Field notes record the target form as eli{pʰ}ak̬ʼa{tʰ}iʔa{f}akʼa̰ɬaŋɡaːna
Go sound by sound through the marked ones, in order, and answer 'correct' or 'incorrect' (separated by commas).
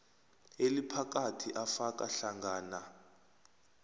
correct, correct, correct